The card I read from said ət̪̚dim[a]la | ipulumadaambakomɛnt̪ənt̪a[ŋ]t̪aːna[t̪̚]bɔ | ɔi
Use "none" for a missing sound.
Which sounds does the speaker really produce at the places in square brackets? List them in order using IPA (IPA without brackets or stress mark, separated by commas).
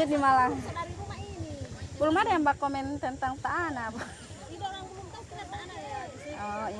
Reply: a, ŋ, none